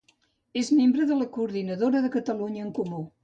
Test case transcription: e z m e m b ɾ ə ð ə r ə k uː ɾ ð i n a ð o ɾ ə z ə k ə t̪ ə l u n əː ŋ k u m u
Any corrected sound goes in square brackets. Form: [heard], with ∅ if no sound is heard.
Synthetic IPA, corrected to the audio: e z m e m b ɾ ə ð ə [l] ə k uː ɾ ð i n [ə] ð o ɾ ə [ð] ə k ə t̪ ə l u [ɲ] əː ŋ k u m u